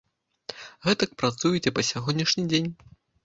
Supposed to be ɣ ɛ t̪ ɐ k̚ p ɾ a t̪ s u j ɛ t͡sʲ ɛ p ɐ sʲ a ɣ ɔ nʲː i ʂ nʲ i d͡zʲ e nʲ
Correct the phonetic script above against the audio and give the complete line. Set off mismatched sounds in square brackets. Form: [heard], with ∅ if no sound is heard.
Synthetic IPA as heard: ɣ ɛ t̪ ɐ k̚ p ɾ a t̪ s u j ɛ t͡sʲ ɛ p ɐ sʲ a ɣ ɔ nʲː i ʂ nʲ i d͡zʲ e nʲ